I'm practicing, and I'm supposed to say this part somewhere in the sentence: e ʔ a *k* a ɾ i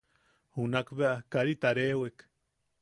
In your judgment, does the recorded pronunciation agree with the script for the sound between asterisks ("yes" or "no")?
yes